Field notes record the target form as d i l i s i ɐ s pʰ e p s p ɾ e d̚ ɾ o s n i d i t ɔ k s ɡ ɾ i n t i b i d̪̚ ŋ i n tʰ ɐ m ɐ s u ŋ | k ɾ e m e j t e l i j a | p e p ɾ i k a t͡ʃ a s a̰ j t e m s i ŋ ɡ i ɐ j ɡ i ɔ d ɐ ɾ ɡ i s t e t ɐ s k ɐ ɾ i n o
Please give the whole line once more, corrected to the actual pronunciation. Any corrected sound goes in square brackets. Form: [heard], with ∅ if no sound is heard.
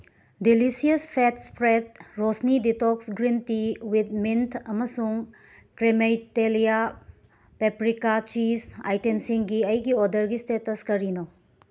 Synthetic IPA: d i l i s i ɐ s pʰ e [t] s p ɾ e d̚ ɾ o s n i d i t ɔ k s ɡ ɾ i n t i [w] i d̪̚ [m] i n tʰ ɐ m ɐ s u ŋ | k ɾ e m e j t e l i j a | p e p ɾ i k a t͡ʃ [i] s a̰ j t e m s i ŋ ɡ i ɐ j ɡ i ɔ d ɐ ɾ ɡ i s t e t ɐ s k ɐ ɾ i n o